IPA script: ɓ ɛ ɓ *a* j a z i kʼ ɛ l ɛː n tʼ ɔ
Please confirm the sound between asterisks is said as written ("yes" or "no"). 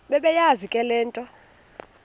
no